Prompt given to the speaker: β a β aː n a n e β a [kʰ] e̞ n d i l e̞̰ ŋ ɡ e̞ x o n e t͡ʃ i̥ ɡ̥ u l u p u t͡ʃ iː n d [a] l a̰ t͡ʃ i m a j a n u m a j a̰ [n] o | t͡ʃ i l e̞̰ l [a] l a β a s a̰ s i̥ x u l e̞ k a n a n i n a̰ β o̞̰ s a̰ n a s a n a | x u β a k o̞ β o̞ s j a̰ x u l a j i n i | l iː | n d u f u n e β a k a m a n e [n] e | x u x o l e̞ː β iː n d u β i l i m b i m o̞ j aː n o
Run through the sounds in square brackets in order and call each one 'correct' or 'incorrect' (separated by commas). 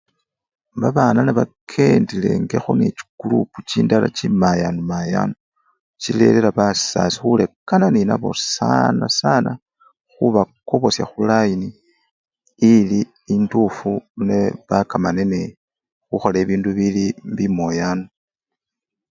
correct, correct, correct, incorrect, correct